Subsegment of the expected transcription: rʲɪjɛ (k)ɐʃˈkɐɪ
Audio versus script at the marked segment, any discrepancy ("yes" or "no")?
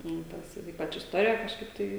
no